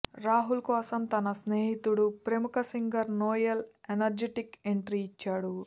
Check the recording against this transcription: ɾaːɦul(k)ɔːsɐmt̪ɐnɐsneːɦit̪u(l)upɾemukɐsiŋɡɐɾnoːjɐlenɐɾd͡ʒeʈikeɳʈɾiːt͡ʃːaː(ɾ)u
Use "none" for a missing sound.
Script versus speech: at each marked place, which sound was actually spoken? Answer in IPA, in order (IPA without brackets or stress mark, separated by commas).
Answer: k, ɽ, ɽ